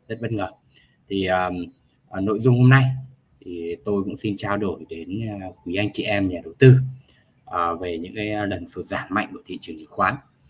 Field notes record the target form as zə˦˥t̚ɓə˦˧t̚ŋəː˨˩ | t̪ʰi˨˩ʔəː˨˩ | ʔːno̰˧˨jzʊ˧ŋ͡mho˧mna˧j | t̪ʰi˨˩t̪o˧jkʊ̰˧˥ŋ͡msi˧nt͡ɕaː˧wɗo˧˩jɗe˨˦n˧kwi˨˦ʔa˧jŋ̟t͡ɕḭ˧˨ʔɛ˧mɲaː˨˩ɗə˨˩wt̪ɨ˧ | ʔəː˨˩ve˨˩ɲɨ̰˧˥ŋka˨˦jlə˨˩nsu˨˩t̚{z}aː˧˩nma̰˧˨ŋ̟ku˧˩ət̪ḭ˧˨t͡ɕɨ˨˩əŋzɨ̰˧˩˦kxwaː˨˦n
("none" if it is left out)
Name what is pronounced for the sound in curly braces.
z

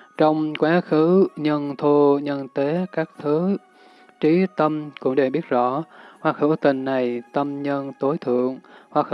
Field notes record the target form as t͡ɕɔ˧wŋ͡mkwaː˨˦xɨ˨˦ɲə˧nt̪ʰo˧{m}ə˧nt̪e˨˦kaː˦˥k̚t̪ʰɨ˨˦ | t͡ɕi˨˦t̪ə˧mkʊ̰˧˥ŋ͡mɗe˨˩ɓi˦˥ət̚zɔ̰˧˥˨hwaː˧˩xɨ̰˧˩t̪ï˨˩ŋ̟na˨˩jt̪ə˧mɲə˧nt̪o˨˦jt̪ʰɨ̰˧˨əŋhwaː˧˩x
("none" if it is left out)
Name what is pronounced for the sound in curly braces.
ɲ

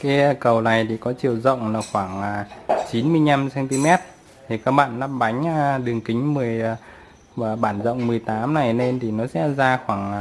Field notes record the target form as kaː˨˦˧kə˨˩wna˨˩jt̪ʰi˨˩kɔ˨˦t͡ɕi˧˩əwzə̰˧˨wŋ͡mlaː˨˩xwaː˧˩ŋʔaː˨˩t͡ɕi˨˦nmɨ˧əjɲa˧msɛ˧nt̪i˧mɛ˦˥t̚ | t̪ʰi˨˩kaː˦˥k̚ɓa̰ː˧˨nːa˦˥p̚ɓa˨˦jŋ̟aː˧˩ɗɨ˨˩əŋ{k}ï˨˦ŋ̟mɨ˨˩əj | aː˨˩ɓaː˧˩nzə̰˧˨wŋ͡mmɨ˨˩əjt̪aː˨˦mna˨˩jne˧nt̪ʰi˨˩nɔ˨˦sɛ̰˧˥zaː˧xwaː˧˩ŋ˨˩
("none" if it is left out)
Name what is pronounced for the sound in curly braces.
k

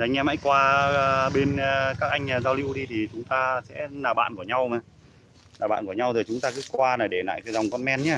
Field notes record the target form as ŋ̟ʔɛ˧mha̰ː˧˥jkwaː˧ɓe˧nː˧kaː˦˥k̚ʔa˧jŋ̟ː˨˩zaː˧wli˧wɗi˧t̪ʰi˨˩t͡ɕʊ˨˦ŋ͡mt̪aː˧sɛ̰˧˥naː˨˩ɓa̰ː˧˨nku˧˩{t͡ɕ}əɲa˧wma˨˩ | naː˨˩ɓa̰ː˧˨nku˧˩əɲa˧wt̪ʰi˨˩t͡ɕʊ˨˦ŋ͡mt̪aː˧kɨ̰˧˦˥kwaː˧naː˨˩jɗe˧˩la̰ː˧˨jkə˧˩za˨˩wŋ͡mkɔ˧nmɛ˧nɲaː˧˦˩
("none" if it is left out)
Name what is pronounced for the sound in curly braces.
none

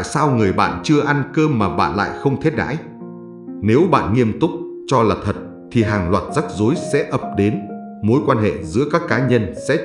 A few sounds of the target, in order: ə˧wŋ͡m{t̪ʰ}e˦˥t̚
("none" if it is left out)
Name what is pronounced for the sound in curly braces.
t̪ʰ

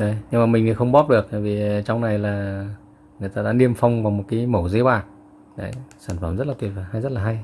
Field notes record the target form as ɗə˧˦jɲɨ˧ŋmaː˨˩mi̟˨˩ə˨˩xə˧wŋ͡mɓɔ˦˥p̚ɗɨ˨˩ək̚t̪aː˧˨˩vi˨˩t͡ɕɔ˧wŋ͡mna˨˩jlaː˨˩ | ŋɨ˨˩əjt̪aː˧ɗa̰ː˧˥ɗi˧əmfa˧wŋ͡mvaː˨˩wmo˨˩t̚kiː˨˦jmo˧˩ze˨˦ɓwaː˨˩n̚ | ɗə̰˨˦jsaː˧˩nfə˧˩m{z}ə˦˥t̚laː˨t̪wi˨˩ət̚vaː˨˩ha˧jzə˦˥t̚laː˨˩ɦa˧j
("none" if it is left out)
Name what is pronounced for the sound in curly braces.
z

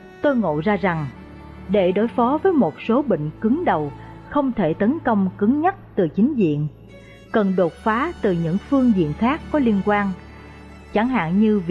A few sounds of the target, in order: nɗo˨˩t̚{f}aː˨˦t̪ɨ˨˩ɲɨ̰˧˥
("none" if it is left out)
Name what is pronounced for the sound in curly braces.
f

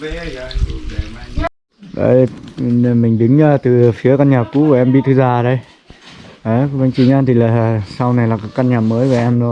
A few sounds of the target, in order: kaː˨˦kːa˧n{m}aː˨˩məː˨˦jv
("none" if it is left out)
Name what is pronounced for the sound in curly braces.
ɲ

